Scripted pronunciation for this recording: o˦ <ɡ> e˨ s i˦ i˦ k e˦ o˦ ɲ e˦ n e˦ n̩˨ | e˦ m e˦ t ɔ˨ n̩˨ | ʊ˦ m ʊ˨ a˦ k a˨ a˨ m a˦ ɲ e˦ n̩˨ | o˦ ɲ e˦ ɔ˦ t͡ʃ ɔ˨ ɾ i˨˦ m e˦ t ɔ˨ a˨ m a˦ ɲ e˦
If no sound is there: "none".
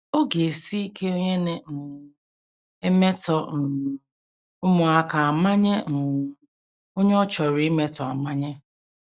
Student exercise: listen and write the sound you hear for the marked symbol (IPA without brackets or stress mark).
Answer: ɡ